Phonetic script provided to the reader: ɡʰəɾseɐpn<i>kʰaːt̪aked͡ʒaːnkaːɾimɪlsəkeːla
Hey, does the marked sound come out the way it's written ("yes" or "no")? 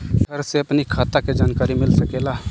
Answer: yes